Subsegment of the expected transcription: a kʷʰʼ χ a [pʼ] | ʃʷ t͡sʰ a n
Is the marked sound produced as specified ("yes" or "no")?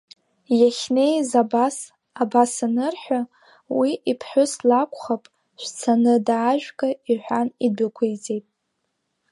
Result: yes